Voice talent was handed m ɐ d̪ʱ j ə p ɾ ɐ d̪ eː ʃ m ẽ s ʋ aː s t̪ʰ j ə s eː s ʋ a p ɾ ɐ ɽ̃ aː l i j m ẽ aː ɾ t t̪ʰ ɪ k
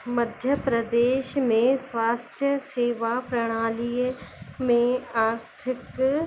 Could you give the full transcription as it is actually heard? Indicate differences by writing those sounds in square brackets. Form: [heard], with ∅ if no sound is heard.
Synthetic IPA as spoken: m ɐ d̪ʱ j ə p ɾ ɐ d̪ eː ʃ m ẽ s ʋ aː s t̪ʰ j ə s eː [∅] ʋ a p ɾ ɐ ɽ̃ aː l i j m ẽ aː ɾ t t̪ʰ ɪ k